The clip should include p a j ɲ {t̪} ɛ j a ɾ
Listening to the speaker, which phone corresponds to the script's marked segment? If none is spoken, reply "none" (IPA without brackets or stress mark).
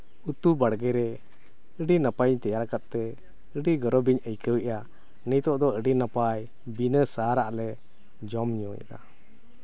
t̪